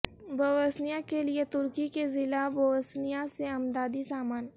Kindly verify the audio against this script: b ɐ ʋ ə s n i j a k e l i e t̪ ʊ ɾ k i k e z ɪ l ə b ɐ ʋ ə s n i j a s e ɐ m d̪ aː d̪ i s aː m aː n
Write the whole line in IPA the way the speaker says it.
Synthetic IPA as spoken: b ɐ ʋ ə s n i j a k e l i e t̪ ʊ ɾ k i k e z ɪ l a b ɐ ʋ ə s n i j a s e ɐ m d̪ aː d̪ i s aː m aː n